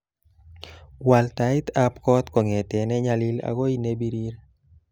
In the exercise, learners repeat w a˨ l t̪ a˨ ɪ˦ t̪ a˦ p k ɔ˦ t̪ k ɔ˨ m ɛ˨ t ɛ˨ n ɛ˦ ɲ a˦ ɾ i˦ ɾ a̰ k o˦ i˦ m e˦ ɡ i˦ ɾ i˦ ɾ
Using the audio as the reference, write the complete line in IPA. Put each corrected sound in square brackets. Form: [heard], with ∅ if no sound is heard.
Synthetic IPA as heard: w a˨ l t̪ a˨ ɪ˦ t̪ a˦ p k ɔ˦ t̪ k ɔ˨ [ŋ] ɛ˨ t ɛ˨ n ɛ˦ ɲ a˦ [l] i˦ [l] a̰ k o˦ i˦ [n] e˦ [b] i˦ ɾ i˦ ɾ